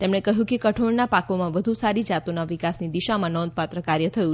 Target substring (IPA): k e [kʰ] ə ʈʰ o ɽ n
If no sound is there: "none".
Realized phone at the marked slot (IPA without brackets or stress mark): k